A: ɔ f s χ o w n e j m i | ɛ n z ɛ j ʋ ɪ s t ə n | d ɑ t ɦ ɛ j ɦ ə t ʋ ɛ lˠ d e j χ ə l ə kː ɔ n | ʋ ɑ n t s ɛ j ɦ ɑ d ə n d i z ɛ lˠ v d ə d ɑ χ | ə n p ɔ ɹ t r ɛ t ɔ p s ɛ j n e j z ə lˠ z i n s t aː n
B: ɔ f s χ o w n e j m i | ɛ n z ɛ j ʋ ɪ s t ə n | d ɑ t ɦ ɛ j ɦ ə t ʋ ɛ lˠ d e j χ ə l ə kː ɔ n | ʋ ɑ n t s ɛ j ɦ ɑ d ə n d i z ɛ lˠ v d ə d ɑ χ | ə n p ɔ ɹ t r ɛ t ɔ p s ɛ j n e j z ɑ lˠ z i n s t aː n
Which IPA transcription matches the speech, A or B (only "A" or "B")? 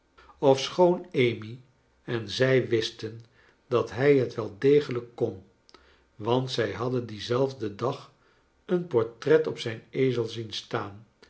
A